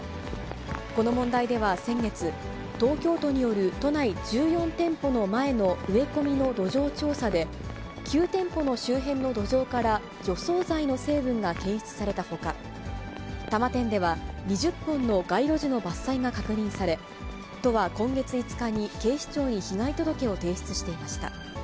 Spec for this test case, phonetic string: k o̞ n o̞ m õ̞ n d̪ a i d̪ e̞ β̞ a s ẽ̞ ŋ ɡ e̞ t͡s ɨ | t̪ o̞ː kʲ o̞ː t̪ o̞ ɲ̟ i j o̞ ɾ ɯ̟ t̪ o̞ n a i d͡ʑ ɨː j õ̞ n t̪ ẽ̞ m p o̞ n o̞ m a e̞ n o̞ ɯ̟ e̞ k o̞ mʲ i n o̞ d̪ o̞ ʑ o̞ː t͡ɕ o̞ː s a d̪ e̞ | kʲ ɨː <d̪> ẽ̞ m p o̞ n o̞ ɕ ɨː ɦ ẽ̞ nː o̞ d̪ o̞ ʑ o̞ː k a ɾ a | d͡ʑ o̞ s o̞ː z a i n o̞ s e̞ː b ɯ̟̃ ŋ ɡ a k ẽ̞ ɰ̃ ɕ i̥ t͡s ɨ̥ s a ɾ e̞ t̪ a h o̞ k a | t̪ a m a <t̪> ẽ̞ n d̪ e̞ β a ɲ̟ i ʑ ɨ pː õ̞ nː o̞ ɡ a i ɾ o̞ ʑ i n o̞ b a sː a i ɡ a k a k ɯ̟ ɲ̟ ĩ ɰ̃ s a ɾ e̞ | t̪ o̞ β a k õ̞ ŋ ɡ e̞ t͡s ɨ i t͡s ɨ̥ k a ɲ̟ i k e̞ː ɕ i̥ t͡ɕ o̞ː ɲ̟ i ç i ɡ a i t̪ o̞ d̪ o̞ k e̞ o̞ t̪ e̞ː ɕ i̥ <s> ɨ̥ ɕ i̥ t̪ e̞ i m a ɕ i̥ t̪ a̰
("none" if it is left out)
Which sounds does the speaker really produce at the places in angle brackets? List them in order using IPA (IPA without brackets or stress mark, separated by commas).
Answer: t̪, t̪, t͡s